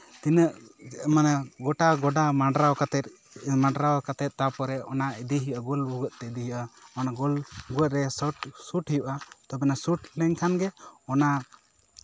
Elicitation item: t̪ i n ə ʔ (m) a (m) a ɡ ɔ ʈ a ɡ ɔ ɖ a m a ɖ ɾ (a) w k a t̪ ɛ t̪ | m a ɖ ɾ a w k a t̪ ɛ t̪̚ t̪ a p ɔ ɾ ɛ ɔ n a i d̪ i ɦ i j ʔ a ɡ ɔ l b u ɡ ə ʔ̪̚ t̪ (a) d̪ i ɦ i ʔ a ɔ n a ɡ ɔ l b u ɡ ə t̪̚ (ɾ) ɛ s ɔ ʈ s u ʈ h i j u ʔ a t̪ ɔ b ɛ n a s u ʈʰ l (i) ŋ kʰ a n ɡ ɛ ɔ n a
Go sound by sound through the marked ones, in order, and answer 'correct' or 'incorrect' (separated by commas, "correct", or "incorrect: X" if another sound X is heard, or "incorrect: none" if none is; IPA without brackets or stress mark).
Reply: correct, incorrect: n, correct, incorrect: ɛ, correct, incorrect: ɛ